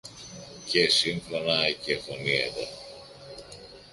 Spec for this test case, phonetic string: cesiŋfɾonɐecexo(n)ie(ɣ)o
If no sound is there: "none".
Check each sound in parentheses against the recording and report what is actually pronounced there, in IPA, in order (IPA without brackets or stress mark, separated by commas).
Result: n, ð